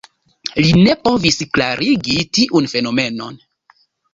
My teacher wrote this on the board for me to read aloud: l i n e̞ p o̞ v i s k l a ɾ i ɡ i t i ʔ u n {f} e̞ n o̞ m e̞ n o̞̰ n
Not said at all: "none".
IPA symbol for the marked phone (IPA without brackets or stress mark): f